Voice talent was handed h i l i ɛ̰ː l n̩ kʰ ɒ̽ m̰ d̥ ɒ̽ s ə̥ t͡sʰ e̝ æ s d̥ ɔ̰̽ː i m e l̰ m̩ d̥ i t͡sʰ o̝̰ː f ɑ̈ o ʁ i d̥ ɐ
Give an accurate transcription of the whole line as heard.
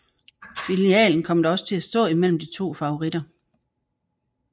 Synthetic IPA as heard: f i l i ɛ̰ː l n̩ kʰ ɒ̽ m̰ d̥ ɒ̽ s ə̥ t͡sʰ e̝ æ s d̥ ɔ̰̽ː i m e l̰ m̩ d̥ i t͡sʰ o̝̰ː f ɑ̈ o ʁ i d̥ ɐ